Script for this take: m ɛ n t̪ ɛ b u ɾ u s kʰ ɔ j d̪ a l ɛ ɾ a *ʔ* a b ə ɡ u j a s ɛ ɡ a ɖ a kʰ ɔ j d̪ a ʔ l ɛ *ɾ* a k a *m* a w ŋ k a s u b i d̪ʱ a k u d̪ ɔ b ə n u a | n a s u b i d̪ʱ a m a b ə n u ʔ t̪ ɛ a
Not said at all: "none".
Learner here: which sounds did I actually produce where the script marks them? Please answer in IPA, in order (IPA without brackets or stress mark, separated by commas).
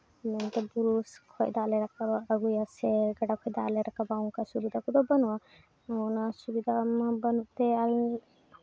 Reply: k, ɾ, b